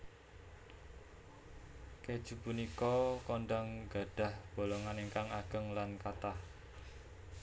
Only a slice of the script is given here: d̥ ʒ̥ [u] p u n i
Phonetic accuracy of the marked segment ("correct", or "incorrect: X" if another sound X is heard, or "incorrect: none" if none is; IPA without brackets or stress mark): correct